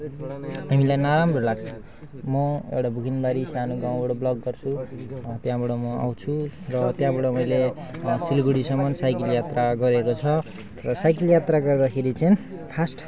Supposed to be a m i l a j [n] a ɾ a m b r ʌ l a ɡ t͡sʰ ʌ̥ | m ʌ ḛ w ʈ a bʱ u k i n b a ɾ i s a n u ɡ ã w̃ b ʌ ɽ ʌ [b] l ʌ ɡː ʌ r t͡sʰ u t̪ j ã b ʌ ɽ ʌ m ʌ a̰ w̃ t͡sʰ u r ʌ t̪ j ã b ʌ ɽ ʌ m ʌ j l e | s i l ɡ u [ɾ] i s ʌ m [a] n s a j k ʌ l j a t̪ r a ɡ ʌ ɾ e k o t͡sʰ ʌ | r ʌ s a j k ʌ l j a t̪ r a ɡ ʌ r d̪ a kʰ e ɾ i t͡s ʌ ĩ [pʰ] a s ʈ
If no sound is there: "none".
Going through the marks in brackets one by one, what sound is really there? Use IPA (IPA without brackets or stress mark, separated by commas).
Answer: n, b, ɽ, ʌ, pʰ